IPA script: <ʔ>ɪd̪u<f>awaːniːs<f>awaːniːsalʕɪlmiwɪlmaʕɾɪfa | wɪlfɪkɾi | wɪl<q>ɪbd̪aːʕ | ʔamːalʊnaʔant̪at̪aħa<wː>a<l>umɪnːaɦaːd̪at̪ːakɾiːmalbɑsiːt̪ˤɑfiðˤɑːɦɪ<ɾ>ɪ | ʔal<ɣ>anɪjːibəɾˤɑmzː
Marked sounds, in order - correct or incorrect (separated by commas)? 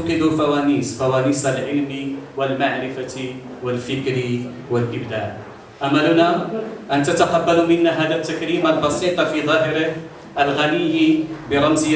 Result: incorrect, correct, correct, incorrect, incorrect, correct, correct, correct